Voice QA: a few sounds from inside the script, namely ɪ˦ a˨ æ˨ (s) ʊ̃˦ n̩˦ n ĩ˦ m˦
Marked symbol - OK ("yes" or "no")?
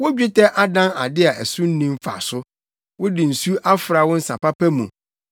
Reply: yes